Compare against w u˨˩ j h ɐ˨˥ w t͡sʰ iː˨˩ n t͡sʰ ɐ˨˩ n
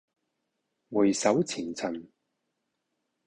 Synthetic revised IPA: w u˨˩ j s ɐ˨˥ w t͡sʰ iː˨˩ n t͡sʰ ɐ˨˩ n